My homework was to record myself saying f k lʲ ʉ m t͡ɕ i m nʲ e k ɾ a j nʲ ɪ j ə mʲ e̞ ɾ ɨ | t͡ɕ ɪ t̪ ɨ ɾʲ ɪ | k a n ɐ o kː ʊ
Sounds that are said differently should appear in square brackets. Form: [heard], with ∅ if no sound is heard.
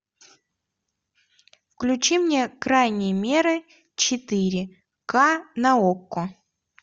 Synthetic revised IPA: f k lʲ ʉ [∅] t͡ɕ i m nʲ e k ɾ a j nʲ ɪ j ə mʲ e̞ ɾ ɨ | t͡ɕ ɪ t̪ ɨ ɾʲ ɪ | k a n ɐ o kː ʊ

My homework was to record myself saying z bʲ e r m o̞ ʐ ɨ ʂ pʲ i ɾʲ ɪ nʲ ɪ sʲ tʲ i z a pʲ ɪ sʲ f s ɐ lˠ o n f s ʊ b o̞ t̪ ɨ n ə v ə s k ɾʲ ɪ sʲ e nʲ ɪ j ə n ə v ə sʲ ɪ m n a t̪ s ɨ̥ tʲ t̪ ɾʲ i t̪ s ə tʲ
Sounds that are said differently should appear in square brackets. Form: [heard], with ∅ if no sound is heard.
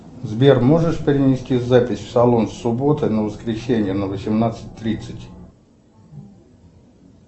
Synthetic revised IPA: z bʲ e r m o̞ ʐ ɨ ʂ pʲ [ɪ] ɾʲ ɪ nʲ ɪ sʲ tʲ i z a pʲ ɪ sʲ f s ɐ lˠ o n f s ʊ b o̞ t̪ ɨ n ə v ə s k ɾʲ ɪ sʲ e nʲ ɪ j ə n ə v ə sʲ ɪ m n a t̪ s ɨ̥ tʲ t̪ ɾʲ i t̪ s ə tʲ

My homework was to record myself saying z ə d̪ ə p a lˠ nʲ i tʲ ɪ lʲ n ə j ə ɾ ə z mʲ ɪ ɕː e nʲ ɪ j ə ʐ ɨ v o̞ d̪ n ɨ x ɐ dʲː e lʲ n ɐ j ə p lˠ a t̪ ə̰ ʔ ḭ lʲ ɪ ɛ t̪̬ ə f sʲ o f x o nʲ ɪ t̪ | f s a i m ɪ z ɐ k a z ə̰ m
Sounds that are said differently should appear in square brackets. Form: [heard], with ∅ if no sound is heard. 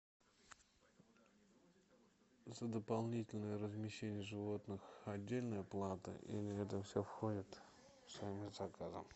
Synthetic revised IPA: z ə d̪ ə p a lˠ nʲ i tʲ ɪ lʲ n ə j ə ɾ ə z mʲ ɪ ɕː e nʲ ɪ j ə ʐ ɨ v o̞ [t̪] n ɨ x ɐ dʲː e lʲ n [ə] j ə p lˠ a t̪ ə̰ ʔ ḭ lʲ ɪ ɛ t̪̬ ə f sʲ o f x o [dʲ] ɪ t̪ | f s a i m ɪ z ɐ k a z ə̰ m

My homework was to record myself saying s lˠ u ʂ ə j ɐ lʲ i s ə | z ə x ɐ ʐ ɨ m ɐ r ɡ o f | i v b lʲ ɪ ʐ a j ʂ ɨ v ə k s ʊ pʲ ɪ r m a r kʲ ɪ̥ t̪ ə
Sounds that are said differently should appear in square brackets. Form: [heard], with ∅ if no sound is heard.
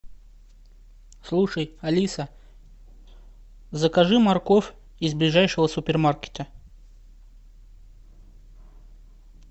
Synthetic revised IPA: s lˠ u ʂ ə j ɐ lʲ i s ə | z ə [k] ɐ ʐ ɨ m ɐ r [k] o f | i [z] b lʲ ɪ ʐ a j ʂ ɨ v ə [∅] s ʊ pʲ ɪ r m a r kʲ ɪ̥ t̪ ə

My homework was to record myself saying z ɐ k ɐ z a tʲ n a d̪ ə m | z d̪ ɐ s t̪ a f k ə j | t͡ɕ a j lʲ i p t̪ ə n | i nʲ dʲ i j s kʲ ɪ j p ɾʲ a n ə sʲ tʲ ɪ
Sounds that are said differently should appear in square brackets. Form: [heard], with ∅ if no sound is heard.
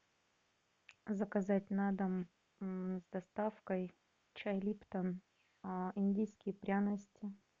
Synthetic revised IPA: z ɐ k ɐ z a tʲ n a d̪ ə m | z d̪ ɐ s t̪ a f k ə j | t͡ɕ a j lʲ i p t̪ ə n | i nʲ dʲ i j s kʲ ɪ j p ɾʲ a n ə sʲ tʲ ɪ

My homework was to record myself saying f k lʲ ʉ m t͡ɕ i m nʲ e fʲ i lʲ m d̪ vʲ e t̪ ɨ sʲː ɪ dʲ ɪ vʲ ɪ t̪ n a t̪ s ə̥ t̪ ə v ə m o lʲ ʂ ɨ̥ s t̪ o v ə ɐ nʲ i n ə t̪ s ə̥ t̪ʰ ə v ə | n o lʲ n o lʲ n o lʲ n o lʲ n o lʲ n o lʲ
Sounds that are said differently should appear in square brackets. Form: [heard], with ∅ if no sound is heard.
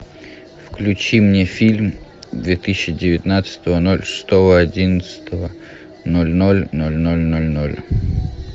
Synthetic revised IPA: f k lʲ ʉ [∅] t͡ɕ i m nʲ e fʲ i lʲ m d̪ vʲ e t̪ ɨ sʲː ɪ dʲ ɪ vʲ ɪ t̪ n a t̪ s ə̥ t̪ ə v ə [n] o lʲ ʂ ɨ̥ s t̪ o v ə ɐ [dʲ] i n ə t̪ s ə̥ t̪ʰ ə v ə | n o lʲ n o lʲ n o lʲ n o lʲ n o lʲ n o lʲ

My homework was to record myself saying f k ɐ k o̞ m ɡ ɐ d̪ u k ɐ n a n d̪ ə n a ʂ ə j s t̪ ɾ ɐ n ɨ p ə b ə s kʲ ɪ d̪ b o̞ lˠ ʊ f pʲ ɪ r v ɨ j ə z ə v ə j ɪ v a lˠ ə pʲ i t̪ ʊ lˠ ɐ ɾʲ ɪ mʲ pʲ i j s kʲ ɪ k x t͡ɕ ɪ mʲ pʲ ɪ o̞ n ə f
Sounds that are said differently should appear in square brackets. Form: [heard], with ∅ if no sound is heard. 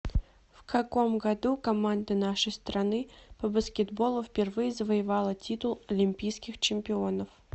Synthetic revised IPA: f k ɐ k o̞ m ɡ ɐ d̪ u k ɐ [m] a n d̪ ə n a ʂ ə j s t̪ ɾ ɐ n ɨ p ə b ə s kʲ ɪ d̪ b o̞ lˠ ʊ f pʲ ɪ r v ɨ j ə z ə v ə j ɪ v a lˠ ə [tʲ] i t̪ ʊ lˠ ɐ [lʲ] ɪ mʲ pʲ i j s kʲ ɪ [∅] x t͡ɕ ɪ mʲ pʲ ɪ o̞ n ə f

